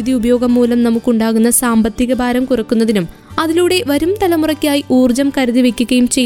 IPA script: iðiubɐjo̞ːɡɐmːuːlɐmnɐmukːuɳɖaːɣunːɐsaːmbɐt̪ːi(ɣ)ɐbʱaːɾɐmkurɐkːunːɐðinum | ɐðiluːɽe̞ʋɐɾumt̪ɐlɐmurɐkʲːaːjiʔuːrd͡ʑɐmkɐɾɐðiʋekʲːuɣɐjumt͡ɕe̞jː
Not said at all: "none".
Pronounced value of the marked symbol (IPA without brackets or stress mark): ɣ